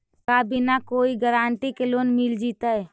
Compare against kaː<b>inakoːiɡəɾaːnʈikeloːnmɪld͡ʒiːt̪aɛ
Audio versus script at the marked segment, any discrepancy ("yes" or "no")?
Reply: no